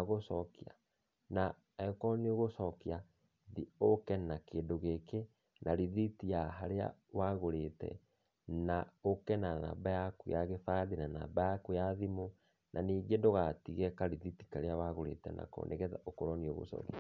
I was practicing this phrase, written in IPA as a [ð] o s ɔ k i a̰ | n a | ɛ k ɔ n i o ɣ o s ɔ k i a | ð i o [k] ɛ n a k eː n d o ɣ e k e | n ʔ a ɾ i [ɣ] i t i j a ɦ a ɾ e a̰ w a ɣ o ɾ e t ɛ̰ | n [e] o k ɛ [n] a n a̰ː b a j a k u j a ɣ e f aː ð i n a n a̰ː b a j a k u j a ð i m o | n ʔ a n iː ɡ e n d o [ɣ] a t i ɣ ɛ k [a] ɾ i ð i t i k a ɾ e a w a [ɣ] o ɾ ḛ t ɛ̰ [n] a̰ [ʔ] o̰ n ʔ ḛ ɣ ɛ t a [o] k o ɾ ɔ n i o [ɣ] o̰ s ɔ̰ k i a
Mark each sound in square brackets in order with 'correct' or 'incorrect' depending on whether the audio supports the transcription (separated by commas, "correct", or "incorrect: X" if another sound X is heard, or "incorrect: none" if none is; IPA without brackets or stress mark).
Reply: incorrect: ɣ, correct, incorrect: ð, incorrect: a, correct, correct, correct, correct, correct, incorrect: k, correct, correct